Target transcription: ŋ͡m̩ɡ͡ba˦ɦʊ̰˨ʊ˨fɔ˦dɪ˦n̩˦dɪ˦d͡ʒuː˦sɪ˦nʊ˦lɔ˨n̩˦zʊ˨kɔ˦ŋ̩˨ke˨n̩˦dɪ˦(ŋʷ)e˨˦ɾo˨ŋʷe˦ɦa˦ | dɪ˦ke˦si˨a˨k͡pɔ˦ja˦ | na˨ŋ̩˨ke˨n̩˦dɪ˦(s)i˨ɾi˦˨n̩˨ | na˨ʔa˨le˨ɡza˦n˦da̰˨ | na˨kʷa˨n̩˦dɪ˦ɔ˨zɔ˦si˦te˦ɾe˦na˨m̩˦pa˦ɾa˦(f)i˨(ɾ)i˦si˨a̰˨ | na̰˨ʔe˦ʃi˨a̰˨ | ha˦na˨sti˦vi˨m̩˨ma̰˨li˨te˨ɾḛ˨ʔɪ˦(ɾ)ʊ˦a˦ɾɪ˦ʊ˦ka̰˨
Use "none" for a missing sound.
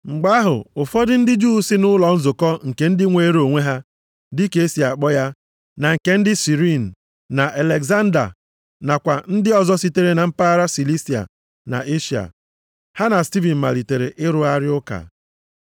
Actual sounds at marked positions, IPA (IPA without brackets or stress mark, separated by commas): ŋʷ, s, s, l, ɾ